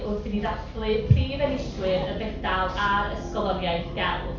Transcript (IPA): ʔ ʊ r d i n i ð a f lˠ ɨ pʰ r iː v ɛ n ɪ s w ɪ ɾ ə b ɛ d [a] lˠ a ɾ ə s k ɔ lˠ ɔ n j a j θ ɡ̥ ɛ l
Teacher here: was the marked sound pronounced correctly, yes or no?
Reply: yes